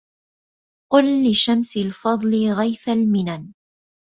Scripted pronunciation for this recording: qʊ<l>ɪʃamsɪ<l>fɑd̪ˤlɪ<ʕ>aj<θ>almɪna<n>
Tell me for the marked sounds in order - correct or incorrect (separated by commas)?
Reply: incorrect, correct, incorrect, correct, correct